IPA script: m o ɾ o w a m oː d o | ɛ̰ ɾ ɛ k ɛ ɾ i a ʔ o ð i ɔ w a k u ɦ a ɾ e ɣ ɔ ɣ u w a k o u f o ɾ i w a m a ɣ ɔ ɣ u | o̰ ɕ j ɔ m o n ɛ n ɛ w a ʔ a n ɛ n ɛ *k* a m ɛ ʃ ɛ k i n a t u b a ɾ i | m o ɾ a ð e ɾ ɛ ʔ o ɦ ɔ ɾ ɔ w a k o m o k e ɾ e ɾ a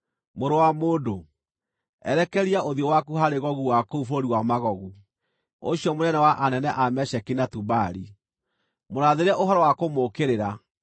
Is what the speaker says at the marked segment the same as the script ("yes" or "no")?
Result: no